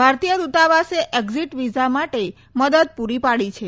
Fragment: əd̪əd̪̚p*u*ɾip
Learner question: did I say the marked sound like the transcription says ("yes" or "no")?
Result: yes